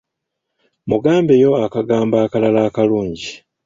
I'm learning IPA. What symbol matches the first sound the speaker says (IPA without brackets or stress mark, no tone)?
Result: m